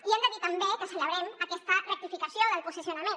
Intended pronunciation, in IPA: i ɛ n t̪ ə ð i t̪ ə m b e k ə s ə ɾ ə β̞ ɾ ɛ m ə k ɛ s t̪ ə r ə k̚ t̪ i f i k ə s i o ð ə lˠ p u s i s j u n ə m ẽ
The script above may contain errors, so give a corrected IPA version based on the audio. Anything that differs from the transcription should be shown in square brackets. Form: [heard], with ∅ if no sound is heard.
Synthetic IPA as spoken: i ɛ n [d̪] ə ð i t̪ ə m b e k ə s ə [l] ə β̞ ɾ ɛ m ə k ɛ s t̪ ə r ə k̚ t̪ i f i k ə s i o ð ə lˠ p u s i s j u n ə m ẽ